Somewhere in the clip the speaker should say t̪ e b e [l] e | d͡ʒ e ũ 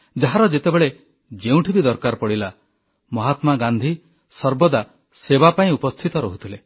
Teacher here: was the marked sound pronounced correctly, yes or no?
no